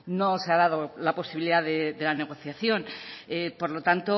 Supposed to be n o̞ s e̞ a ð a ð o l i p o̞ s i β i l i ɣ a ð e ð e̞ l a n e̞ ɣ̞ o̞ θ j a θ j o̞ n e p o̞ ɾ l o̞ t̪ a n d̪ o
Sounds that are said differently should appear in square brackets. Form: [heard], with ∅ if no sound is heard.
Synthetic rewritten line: n o̞ s e̞ a ð a ð o l [a] p o̞ s i β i l i [ð] a ð e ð e̞ l a n e̞ ɣ̞ o̞ θ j a θ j o̞ n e p o̞ ɾ l o̞ t̪ a n [t̪] o

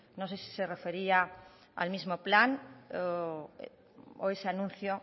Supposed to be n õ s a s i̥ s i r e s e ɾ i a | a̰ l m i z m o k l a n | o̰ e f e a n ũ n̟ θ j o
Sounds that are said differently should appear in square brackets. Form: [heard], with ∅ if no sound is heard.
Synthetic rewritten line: n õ s [e] s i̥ s [e] r e [f] e ɾ i a | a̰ l m i z m o [p] l a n | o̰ e [s] e a n ũ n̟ θ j o

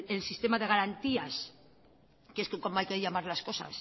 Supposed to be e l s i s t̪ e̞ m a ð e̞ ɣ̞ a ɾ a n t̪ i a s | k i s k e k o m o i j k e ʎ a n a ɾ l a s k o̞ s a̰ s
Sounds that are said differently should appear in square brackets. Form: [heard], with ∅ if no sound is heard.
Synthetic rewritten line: e l s i s t̪ e̞ m a ð e̞ ɣ̞ a ɾ a n t̪ i a s | k [e] s k e k o m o [a] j k e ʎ a [m] a ɾ l a s k o̞ s a̰ s

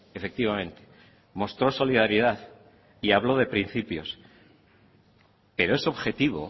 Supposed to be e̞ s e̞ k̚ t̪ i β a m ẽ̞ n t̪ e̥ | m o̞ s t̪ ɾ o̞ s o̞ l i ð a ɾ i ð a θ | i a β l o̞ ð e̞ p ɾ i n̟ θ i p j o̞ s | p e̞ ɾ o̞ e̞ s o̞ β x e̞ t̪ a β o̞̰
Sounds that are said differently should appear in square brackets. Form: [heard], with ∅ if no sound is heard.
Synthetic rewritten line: e̞ [f] e̞ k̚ t̪ i β a m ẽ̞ n t̪ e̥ | m o̞ s t̪ ɾ o̞ s o̞ l i ð a ɾ i ð a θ | i a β l o̞ ð e̞ p ɾ i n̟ θ i p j o̞ s | p e̞ ɾ o̞ e̞ s o̞ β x e̞ t̪ [i] β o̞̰

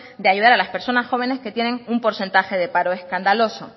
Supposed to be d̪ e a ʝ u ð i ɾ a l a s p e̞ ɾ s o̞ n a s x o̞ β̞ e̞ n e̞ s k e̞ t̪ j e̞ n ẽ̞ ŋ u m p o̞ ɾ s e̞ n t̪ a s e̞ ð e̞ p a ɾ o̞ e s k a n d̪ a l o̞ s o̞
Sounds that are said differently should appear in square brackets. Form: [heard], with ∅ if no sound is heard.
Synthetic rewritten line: d̪ e a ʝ u ð [a] ɾ a l a s p e̞ ɾ s o̞ n a s x o̞ β̞ e̞ n e̞ s k e̞ t̪ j e̞ n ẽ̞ ŋ u m p o̞ ɾ s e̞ n t̪ a [x] e̞ ð e̞ p a ɾ o̞ e s k a n d̪ a l o̞ s o̞

